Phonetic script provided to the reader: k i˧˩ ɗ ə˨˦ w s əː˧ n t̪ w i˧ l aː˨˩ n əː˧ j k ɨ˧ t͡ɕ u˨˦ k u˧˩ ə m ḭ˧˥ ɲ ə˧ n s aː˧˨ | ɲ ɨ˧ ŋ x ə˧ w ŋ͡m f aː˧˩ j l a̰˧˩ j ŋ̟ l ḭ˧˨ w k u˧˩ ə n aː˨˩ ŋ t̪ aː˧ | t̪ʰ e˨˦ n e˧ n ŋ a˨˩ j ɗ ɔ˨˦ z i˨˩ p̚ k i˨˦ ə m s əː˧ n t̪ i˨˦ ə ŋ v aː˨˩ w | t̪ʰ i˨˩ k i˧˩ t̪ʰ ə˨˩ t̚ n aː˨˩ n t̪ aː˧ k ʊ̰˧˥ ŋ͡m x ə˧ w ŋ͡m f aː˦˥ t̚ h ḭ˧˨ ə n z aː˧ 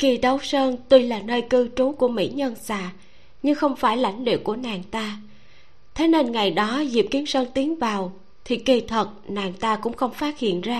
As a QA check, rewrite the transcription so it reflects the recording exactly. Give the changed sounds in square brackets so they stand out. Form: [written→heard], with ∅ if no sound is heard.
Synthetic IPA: k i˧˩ ɗ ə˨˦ w s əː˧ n t̪ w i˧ l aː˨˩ n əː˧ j k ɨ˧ t͡ɕ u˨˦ k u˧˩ ə m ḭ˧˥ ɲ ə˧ n s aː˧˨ | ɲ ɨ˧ ŋ x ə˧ w ŋ͡m f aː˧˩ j l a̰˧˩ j ŋ̟ l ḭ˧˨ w k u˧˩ ə n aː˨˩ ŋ t̪ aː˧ | t̪ʰ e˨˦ n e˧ n ŋ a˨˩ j ɗ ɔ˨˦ z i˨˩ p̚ k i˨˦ ə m s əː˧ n t̪ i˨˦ ə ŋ v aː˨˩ w | t̪ʰ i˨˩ k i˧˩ t̪ʰ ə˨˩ t̚ n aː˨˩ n t̪ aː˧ k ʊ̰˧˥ ŋ͡m x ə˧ w ŋ͡m f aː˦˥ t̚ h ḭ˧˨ ə n z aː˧